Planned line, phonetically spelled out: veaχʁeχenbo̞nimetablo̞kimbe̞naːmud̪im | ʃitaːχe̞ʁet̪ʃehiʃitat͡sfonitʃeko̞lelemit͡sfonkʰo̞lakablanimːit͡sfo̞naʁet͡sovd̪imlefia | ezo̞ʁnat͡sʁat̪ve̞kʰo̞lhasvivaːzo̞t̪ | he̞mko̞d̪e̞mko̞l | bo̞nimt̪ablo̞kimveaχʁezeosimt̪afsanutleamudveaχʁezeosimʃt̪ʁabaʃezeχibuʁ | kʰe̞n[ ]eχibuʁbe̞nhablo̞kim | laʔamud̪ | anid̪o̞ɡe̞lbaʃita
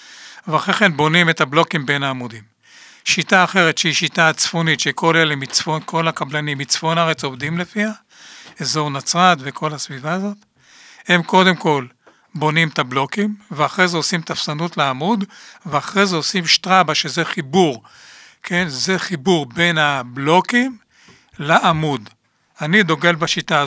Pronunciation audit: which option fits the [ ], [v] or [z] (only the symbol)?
z